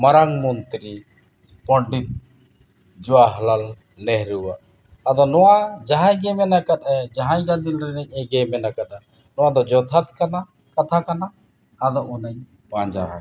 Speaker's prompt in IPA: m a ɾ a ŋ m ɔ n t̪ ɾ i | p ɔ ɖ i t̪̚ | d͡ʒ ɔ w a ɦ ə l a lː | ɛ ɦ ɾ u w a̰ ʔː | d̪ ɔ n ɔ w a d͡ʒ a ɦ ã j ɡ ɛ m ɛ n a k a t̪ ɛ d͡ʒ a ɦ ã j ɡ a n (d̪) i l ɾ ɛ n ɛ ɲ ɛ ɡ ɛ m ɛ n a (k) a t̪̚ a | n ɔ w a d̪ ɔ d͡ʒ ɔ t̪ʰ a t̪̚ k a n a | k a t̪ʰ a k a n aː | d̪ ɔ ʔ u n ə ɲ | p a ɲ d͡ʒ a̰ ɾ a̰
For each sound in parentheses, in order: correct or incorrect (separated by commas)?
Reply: correct, correct